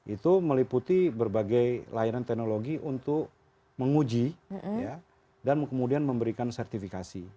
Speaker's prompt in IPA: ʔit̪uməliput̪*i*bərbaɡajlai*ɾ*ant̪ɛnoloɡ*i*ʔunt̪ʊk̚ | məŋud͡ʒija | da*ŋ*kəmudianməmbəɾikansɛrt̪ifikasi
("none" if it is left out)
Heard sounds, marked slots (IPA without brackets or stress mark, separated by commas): i, ɾ, i, n